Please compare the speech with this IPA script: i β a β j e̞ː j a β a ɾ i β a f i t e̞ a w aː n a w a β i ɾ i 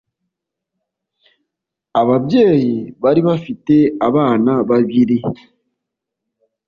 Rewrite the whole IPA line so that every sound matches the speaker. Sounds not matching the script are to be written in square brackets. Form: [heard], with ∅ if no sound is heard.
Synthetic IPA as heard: [a] β a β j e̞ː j [i] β a ɾ i β a f i t e̞ a [β] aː n a [β] a β i ɾ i